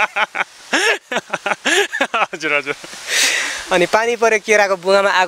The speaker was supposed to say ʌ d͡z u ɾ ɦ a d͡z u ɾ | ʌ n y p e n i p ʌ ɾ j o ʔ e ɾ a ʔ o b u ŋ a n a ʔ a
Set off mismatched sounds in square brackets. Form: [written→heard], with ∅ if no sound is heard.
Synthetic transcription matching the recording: ʌ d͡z u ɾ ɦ [a→ʌ] d͡z u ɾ | ʌ n [y→i] p [e→a] n i p ʌ ɾ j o [ʔ→k] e ɾ a [ʔ→k] o b u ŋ a [n→m] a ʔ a